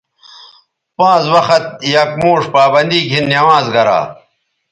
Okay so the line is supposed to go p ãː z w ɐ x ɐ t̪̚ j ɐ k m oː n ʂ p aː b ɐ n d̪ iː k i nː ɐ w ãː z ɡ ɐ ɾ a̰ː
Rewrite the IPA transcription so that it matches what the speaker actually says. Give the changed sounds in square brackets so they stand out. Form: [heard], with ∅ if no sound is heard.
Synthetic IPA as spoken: p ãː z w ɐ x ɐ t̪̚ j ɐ k m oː [∅] ʂ p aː b ɐ n d̪ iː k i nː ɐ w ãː z ɡ ɐ ɾ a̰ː